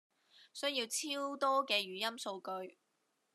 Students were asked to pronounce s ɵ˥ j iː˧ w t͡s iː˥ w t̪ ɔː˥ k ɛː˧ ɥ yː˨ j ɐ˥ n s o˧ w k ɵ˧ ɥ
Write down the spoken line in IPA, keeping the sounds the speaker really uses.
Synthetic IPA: s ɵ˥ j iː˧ w t͡sʰ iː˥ w t̪ ɔː˥ k ɛː˧ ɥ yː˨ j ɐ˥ m s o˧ w k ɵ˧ ɥ